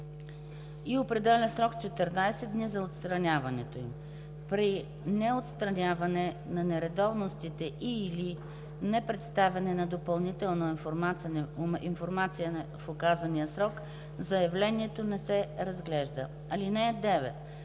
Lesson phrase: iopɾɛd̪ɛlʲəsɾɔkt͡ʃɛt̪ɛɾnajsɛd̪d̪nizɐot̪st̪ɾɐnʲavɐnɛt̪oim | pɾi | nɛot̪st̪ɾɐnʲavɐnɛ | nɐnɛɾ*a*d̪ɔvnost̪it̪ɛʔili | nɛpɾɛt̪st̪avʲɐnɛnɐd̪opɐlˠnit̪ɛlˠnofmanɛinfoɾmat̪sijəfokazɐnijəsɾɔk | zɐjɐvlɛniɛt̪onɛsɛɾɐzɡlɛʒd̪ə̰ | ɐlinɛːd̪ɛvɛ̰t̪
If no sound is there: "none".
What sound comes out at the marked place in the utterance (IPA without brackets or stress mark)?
ɛ